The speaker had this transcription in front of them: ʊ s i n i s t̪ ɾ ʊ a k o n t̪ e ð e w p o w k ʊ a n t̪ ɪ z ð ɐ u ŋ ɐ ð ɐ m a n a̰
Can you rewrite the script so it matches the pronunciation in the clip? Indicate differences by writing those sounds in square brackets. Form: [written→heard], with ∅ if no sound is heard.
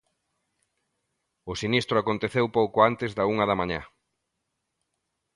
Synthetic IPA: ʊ s i n i s t̪ ɾ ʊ a k o n t̪ e [ð→θ] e w p o w k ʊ a n t̪ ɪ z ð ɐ u ŋ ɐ ð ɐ m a [n→ɲ] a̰